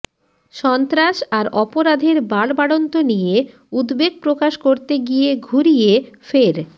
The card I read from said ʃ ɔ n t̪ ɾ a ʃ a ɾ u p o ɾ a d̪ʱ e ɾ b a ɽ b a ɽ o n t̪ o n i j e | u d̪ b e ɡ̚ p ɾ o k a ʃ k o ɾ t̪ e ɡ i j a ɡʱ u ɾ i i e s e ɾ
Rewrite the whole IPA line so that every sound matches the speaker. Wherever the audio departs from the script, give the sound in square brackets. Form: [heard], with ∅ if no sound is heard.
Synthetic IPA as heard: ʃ ɔ n t̪ ɾ a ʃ a ɾ [ɔ] p o ɾ a d̪ʱ e ɾ b a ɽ b a ɽ o n t̪ o n i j e | u d̪ b e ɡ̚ p ɾ o k a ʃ k o ɾ t̪ e ɡ i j [e] ɡʱ u ɾ i [j] e [f] e ɾ